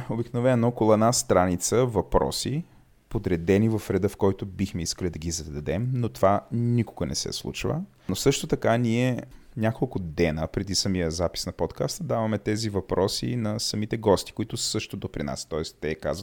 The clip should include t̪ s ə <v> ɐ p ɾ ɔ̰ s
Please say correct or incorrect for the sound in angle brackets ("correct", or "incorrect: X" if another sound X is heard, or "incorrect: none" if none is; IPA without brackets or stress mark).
correct